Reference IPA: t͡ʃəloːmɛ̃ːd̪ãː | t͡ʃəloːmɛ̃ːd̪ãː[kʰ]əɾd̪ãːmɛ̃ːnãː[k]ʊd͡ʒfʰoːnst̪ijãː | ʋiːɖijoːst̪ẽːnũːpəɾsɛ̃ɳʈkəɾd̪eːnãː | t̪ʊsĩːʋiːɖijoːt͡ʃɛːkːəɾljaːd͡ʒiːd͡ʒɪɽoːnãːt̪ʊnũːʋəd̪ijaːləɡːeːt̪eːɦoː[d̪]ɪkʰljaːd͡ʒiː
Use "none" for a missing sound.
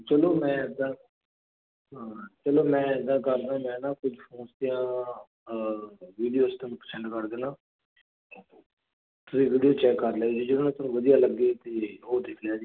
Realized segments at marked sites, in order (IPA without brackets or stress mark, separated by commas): k, k, d̪